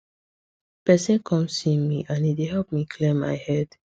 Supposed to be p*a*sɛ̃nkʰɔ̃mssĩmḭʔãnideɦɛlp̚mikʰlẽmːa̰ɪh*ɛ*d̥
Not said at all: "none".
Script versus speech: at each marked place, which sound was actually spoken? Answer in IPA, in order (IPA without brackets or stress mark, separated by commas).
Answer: ɛ, ɛ